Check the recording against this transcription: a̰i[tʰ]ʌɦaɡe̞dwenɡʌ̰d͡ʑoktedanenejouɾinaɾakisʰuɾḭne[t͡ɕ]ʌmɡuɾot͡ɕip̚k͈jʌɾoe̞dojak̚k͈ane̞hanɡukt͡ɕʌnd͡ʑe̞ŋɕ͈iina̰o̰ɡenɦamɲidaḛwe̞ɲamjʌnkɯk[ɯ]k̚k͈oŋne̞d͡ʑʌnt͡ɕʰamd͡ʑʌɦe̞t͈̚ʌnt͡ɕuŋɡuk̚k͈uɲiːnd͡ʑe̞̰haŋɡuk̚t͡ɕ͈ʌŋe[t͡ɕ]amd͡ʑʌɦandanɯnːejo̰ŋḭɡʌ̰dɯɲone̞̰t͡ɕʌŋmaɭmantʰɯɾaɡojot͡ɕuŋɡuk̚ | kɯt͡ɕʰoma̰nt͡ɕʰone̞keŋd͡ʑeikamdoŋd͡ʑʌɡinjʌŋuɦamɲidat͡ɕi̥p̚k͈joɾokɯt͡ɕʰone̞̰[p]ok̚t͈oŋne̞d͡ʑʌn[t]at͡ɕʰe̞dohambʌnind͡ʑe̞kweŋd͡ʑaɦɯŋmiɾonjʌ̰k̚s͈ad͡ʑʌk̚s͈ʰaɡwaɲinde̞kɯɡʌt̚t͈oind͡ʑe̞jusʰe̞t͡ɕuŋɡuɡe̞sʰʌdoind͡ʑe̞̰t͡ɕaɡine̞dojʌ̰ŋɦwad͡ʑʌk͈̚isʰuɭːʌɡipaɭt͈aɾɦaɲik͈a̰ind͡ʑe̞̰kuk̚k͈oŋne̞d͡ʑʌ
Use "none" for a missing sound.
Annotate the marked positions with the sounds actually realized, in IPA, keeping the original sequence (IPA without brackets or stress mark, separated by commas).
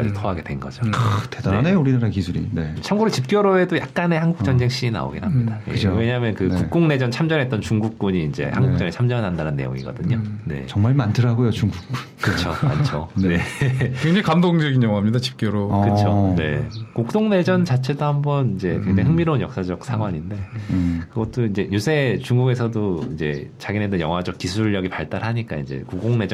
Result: tʰ, t͡ɕʰ, u, t͡ɕʰ, k, t͡ɕ